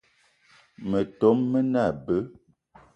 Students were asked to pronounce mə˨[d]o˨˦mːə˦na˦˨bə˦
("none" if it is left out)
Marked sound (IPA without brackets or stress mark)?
t